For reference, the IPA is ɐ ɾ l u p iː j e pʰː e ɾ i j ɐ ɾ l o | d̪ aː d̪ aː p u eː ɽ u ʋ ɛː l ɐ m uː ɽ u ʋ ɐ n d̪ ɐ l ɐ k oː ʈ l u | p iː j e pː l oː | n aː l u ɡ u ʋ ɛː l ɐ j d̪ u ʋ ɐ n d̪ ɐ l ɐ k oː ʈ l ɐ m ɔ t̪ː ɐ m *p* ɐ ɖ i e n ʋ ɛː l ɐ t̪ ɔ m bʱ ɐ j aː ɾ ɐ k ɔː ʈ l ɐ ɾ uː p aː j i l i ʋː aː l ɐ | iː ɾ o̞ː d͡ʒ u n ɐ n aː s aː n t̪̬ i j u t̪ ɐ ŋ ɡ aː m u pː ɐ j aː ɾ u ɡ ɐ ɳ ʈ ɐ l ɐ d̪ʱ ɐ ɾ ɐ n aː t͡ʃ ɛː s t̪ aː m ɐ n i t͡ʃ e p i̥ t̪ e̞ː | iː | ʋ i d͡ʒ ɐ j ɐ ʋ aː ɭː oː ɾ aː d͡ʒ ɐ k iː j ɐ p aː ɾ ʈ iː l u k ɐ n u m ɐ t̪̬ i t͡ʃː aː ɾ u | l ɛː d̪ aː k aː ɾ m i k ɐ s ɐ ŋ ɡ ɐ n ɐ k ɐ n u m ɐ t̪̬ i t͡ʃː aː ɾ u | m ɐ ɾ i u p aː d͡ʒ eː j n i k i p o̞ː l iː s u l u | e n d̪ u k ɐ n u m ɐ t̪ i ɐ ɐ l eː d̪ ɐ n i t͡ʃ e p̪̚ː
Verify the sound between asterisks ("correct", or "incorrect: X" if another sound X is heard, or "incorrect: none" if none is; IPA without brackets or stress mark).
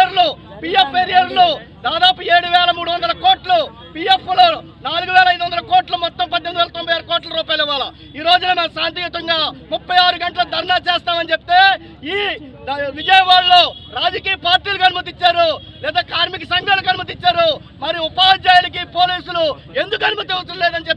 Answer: correct